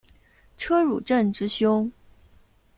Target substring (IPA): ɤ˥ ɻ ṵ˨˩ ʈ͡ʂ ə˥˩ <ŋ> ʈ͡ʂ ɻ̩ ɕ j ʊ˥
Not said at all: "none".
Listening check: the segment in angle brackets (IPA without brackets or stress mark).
n